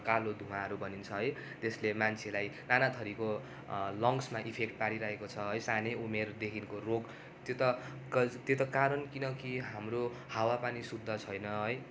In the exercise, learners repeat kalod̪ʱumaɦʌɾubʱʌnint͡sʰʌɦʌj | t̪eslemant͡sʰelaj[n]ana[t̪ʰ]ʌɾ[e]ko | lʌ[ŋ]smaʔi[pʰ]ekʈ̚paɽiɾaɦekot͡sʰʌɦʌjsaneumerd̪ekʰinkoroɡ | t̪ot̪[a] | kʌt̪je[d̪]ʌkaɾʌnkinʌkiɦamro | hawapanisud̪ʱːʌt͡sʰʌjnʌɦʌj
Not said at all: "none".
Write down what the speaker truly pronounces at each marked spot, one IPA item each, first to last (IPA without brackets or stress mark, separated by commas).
n, t̪ʰ, i, ŋ, pʰ, ʌ, t̪